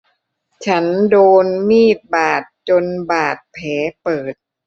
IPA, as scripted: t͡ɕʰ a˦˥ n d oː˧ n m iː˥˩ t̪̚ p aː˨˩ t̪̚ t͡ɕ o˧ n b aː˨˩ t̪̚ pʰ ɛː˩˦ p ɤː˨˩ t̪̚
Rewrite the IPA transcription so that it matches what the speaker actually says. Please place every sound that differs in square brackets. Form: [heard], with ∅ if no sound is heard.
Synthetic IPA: t͡ɕʰ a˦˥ n d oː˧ n m iː˥˩ t̪̚ [b] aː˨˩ t̪̚ t͡ɕ o˧ n b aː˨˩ t̪̚ pʰ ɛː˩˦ p ɤː˨˩ t̪̚